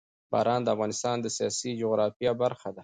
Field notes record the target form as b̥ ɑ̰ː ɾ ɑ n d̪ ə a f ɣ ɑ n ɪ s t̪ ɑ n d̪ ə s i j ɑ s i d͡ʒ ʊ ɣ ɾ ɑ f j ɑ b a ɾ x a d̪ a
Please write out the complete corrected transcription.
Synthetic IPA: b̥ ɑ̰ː ɾ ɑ n d̪ ə a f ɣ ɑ n ɪ s t̪ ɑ n d̪ ə s i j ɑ s i d͡ʒ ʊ ɣ ɾ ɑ f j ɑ b a ɾ x a d̪ a

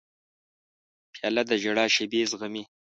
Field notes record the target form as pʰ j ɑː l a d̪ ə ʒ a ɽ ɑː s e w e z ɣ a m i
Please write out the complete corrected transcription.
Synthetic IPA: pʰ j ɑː l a d̪ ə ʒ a ɽ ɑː ʃ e b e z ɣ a m i

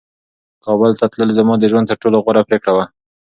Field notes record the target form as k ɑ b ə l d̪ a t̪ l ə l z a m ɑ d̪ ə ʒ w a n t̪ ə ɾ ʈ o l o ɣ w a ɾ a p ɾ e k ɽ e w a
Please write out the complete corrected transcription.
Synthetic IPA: k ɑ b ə l t̪ a t̪ l ə l z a m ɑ d̪ ə ʒ w a n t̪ ə ɾ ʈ o l o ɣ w a ɾ a p ɾ e k ɽ a w a

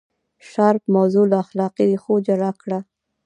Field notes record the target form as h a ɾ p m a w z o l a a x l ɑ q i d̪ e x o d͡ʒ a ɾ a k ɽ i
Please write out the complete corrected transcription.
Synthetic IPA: ʃ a ɾ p m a w z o l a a x l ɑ q i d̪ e x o d͡ʒ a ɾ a k ɽ a

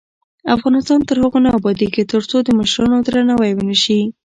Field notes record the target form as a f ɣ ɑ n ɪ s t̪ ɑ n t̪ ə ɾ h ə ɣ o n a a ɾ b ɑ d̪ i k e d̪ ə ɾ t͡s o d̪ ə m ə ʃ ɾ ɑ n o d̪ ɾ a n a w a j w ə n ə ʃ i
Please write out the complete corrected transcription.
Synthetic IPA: a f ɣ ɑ n ɪ s t̪ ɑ n t̪ ə ɾ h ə ɣ o n a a b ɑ d̪ i k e t̪ ə ɾ t͡s o d̪ ə m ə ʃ ɾ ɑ n o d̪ ɾ a n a w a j w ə n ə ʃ i

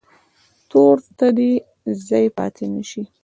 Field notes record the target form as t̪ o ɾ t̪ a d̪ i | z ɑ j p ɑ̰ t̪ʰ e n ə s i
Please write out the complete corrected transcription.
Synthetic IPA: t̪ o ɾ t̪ a d̪ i | z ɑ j p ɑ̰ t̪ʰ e n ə ʃ i

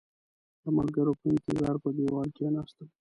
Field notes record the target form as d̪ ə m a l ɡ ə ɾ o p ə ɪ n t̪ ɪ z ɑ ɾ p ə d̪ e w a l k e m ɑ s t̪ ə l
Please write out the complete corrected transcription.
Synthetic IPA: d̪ ə m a l ɡ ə ɾ o p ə ɪ n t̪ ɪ z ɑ ɾ p ə d̪ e w ɑ l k e n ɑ s t̪ ə l

